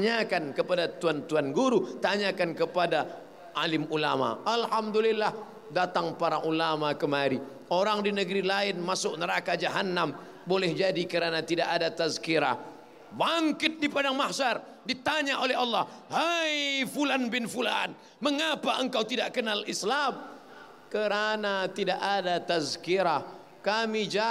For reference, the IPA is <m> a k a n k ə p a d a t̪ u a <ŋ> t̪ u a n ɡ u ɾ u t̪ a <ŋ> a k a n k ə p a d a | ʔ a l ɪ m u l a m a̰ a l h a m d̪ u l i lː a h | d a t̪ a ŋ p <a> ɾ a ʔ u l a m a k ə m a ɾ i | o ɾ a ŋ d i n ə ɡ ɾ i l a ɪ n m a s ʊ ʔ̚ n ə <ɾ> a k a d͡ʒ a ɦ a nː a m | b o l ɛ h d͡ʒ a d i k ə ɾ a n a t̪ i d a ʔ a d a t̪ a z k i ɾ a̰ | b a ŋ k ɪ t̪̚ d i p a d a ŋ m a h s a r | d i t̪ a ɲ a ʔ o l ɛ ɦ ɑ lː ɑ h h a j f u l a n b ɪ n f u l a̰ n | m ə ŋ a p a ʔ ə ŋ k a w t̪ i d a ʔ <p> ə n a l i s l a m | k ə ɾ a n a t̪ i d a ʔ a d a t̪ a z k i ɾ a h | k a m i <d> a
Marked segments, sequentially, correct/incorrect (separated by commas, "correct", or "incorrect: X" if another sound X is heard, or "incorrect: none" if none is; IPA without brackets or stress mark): incorrect: ɲ, incorrect: n, incorrect: ɲ, correct, correct, incorrect: k, incorrect: d͡ʒ